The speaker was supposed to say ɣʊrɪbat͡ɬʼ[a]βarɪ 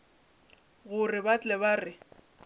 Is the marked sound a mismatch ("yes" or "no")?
yes